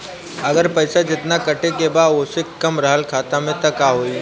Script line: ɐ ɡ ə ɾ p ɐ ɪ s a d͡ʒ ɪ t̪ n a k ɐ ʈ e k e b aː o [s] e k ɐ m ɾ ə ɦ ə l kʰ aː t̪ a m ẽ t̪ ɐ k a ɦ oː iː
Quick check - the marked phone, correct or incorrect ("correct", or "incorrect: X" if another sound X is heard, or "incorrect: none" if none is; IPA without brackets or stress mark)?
correct